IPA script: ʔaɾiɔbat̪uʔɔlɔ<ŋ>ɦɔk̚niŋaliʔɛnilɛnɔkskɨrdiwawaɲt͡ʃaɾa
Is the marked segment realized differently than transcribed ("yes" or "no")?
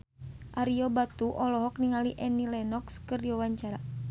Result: yes